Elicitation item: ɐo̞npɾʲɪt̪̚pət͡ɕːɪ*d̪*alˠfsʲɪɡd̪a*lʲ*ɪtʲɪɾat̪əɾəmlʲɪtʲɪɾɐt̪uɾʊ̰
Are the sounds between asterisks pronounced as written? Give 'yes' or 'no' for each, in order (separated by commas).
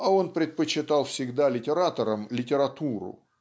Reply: no, yes